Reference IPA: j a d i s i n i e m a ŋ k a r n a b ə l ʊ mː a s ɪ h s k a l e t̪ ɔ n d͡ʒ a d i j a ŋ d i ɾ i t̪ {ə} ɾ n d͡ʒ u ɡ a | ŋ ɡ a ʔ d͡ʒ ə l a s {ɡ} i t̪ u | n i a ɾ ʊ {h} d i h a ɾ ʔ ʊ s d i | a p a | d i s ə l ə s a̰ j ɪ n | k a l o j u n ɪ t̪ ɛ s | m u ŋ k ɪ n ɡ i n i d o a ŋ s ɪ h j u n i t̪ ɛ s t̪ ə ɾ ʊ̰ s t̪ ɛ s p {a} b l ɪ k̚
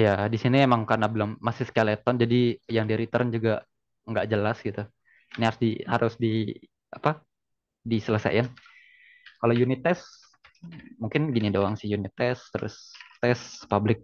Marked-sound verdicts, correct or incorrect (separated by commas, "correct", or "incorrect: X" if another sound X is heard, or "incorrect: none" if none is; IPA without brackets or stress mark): correct, correct, incorrect: s, correct